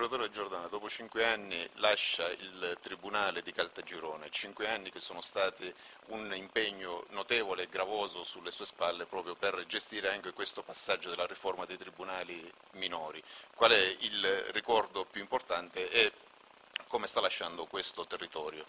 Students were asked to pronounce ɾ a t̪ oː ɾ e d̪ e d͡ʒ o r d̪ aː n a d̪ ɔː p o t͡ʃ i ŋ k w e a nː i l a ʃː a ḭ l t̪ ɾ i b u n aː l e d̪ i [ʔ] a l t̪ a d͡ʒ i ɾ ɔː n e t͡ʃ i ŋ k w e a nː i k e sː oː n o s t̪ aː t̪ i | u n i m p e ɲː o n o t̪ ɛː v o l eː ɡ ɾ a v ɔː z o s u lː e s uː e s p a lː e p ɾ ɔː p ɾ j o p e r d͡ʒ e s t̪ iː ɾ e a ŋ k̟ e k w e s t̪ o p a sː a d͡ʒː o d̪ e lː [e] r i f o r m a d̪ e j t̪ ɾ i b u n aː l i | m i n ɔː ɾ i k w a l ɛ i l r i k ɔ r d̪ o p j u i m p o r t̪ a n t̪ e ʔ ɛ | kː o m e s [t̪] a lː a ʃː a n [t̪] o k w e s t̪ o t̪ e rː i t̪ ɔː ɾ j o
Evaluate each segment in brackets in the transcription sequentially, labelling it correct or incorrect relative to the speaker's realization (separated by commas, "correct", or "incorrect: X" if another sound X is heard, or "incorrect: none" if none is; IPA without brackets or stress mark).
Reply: incorrect: k, incorrect: a, correct, incorrect: d̪